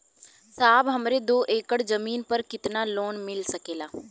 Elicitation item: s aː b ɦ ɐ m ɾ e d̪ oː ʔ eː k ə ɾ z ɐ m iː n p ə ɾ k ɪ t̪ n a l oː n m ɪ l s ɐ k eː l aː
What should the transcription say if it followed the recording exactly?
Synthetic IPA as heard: s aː b ɦ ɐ m ɾ e d̪ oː ʔ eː k ə ɽ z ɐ m iː n p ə ɾ k ɪ t̪ n a l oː n m ɪ l s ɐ k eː l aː